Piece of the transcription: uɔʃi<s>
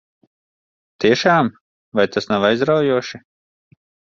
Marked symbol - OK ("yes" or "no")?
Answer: no